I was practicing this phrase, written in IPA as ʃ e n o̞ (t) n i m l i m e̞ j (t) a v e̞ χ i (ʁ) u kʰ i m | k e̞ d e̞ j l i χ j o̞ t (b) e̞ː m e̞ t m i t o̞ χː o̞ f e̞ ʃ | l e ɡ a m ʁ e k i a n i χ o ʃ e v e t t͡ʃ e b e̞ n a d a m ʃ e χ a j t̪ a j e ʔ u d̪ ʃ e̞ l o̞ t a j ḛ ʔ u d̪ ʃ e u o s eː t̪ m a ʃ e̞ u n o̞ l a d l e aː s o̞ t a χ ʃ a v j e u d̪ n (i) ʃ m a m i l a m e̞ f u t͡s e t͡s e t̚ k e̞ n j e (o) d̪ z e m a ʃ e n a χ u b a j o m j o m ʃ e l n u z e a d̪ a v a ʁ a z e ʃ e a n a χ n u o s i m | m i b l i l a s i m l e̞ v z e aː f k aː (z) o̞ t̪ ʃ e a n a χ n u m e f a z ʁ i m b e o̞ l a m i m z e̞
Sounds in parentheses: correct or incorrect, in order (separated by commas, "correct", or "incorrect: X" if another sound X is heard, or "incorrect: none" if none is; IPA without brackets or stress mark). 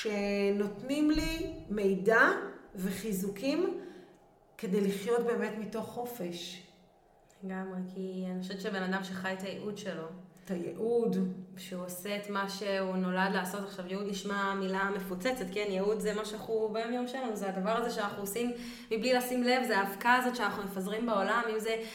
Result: correct, incorrect: d, incorrect: z, correct, correct, incorrect: u, correct